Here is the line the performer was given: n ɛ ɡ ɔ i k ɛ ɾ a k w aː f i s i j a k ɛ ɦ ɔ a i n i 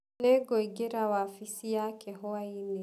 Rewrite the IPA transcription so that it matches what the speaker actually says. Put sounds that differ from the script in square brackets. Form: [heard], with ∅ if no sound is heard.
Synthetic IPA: n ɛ ɡ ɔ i [ɡ] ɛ ɾ a [∅] w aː f i s i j a k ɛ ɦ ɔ a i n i